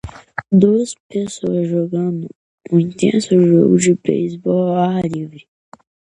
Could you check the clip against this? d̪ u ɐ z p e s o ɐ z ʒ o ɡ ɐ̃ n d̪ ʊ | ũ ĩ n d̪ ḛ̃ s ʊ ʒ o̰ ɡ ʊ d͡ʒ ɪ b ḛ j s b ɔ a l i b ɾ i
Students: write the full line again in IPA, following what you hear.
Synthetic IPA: d̪ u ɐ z p e s o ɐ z ʒ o ɡ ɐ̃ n d̪ ʊ | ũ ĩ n t̪ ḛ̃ s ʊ ʒ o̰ ɡ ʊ d͡ʒ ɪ b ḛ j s b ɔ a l i v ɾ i